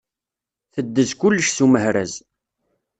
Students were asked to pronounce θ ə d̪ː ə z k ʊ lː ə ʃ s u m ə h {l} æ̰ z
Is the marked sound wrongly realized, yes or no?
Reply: yes